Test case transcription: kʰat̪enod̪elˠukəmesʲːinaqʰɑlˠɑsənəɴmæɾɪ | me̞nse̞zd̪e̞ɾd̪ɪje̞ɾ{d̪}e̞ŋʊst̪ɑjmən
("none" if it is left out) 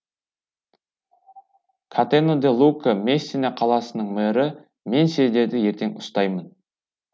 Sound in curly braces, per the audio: t̪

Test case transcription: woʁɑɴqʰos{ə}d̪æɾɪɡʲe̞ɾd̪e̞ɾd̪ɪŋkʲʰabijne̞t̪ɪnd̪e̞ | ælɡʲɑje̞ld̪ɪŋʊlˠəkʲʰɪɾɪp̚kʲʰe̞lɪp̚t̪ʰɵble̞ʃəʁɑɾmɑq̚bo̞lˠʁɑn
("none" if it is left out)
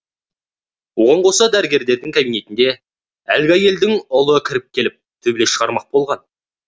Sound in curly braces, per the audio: ɑ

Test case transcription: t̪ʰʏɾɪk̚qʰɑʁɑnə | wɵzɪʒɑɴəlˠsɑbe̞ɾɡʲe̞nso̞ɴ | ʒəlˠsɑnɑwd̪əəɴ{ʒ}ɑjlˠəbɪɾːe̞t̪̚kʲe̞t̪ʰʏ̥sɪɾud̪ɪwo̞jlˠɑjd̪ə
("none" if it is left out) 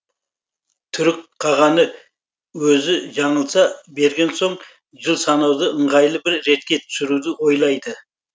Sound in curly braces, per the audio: ʁ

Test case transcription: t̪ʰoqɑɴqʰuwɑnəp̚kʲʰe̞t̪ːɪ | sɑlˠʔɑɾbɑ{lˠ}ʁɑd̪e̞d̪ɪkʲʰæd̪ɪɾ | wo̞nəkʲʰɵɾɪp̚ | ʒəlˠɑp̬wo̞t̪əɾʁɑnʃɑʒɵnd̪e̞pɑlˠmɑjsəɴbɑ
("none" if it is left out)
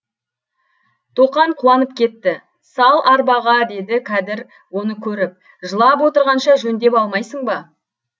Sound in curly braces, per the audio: none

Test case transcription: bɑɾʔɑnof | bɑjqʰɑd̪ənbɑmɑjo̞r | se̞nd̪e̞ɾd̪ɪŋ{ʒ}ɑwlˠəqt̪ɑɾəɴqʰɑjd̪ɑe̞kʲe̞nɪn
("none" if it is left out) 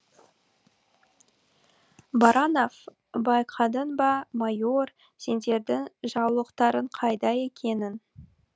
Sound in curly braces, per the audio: ʒ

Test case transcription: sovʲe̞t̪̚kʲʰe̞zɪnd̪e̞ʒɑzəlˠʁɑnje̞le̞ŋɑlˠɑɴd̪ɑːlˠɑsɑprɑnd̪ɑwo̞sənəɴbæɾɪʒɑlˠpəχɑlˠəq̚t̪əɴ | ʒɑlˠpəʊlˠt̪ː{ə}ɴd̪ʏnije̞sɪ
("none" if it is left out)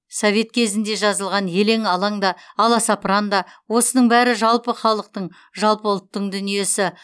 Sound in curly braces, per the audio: ə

